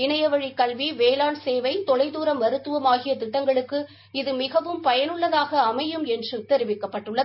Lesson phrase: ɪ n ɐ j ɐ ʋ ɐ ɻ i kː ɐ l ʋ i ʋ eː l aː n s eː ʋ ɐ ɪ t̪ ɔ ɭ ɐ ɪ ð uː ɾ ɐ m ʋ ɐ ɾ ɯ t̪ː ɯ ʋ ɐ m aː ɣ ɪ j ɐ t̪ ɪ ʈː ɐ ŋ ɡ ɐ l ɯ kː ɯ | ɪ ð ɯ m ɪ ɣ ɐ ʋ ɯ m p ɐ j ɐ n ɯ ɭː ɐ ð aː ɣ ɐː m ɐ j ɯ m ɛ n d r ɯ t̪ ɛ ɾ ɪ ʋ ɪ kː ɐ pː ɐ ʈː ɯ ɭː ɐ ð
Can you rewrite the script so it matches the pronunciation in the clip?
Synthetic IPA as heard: ɪ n ɐ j ɐ ʋ ɐ ɻ i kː ɐ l ʋ i ʋ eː l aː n s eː ʋ ɐ ɪ t̪ ɔ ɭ ɐ ɪ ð uː ɾ ɐ m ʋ ɐ ɾ ɯ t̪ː ɯ ʋ ɐ m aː ɣ ɪ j ɐ t̪ ɪ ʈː ɐ ŋ ɡ ɐ ɭ ɯ kː ɯ | ɪ ð ɯ m ɪ ɣ ɐ ʋ ɯ m p ɐ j ɐ n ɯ ɭː ɐ ð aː ɣ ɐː m ɐ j ɯ m ɛ n d r ɯ t̪ ɛ ɾ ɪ ʋ ɪ kː ɐ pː ɐ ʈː ɯ ɭː ɐ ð

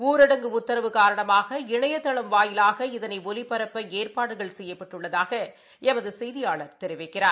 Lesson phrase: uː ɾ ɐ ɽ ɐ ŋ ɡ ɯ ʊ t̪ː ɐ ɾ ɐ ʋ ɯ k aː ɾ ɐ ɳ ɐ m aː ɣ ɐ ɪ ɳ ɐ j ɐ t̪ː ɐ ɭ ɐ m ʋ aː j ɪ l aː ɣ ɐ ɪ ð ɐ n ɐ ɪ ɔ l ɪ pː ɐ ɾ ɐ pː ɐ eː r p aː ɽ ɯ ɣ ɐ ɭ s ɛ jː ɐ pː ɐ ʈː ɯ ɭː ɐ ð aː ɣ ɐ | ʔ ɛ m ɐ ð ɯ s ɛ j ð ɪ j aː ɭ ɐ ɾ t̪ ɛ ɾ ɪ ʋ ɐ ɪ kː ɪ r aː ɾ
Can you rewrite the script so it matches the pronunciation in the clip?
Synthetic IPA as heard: uː ɾ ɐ ɽ ɐ ŋ ɡ ɯ ʊ t̪ː ɐ ɾ ɐ ʋ ɯ k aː ɾ ɐ ɳ ɐ m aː ɣ ɐ ɪ ɳ ɐ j ɐ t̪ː ɐ ɭ ɐ m ʋ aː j ɪ l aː ɣ ɐ ɪ ð ɐ n ɐ ɪ ɔ l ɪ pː ɐ ɾ ɐ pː ɐ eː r p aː ɽ ɯ ɣ ɐ ɭ s ɛ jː ɐ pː ɐ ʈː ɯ ɭː ɐ ð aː ɣ ɐ | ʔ ɛ m ɐ ð ɯ s ɛ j ð ɪ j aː ɭ ɐ ɾ t̪ ɛ ɾ ɪ ʋ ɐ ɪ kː ɪ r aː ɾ

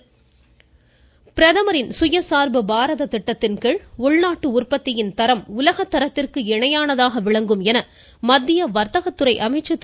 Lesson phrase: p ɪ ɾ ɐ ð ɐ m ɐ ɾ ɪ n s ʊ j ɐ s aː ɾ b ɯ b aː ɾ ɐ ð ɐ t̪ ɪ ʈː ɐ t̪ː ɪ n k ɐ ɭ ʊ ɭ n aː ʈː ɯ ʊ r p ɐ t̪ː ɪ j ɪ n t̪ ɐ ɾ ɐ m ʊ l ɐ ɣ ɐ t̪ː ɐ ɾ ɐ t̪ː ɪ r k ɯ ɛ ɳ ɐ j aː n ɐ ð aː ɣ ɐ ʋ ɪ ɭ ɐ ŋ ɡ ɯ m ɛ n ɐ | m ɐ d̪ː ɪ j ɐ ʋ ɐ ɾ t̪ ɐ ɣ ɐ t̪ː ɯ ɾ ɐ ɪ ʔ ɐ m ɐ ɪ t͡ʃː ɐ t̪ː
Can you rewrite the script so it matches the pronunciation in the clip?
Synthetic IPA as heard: p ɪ ɾ ɐ ð ɐ m ɐ ɾ ɪ n s ʊ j ɐ s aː ɾ b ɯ b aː ɾ ɐ ð ɐ t̪ ɪ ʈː ɐ t̪ː ɪ n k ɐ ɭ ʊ ɭ n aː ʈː ɯ ʊ r p ɐ t̪ː ɪ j ɪ n t̪ ɐ ɾ ɐ m ʊ l ɐ ɣ ɐ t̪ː ɐ ɾ ɐ t̪ː ɪ r k ɯ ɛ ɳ ɐ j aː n ɐ ð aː ɣ ɐ ʋ ɪ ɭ ɐ ŋ ɡ ɯ m ɛ n ɐ | m ɐ d̪ː ɪ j ɐ ʋ ɐ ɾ t̪ ɐ ɣ ɐ t̪ː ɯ ɾ ɐ ɪ ʔ ɐ m ɐ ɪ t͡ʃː ɐ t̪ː

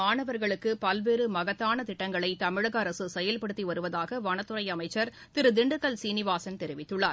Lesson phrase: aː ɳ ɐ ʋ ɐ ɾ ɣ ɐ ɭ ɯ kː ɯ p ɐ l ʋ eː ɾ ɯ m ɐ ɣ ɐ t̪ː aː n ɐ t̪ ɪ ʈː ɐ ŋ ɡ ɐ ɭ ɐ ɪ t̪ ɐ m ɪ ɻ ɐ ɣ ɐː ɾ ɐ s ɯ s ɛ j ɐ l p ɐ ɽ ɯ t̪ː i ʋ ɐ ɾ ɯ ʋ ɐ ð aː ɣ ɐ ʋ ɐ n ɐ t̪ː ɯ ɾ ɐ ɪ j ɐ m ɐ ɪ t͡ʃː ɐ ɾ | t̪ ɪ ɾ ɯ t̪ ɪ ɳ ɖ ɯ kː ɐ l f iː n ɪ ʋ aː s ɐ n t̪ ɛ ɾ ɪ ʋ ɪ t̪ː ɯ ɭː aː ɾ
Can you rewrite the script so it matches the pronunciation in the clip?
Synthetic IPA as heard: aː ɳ ɐ ʋ ɐ ɾ ɣ ɐ ɭ ɯ kː ɯ p ɐ l ʋ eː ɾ ɯ m ɐ ɣ ɐ t̪ː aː n ɐ t̪ ɪ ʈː ɐ ŋ ɡ ɐ ɭ ɐ ɪ t̪ ɐ m ɪ ɻ ɐ ɣ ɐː ɾ ɐ s ɯ s ɛ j ɐ l p ɐ ɽ ɯ t̪ː i ʋ ɐ ɾ ɯ ʋ ɐ ð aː ɣ ɐ ʋ ɐ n ɐ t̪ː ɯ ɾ ɐ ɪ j ɐ m ɐ ɪ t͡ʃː ɐ ɾ | t̪ ɪ ɾ ɯ d̪ ɪ ɳ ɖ ɯ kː ɐ l s iː n ɪ ʋ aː s ɐ n t̪ ɛ ɾ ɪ ʋ ɪ t̪ː ɯ ɭː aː ɾ

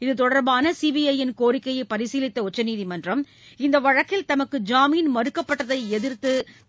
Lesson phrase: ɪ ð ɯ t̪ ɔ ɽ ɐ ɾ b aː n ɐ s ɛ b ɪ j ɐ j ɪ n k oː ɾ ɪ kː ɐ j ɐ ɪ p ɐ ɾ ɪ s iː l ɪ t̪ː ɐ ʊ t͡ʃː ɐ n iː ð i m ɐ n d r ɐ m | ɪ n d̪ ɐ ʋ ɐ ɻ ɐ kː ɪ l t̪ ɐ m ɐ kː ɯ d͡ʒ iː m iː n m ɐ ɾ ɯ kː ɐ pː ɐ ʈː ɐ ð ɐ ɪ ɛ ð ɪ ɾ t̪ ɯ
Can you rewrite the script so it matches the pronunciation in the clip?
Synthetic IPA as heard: ɪ ð ɯ t̪ ɔ ɽ ɐ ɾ b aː n ɐ s i b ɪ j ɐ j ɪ n k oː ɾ ɪ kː ɐ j ɐ ɪ p ɐ ɾ ɪ s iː l ɪ t̪ː ɐ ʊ t͡ʃː ɐ n iː ð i m ɐ n d r ɐ m | ɪ n d̪ ɐ ʋ ɐ ɻ ɐ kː ɪ l t̪ ɐ m ɐ kː ɯ d͡ʒ aː m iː n m ɐ ɾ ɯ kː ɐ pː ɐ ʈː ɐ ð ɐ ɪ ɛ ð ɪ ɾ t̪ ɯ

